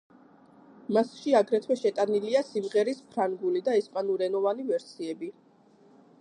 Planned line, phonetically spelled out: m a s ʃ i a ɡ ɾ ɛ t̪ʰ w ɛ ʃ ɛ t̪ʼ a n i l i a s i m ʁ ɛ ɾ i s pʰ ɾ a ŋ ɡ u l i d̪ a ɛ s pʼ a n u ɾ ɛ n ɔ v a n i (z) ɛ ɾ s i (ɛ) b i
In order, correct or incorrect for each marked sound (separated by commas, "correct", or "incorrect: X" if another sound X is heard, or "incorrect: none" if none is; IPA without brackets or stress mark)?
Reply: incorrect: v, correct